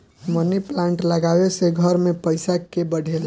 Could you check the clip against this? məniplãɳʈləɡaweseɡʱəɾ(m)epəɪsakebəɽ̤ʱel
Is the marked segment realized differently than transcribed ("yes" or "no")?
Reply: no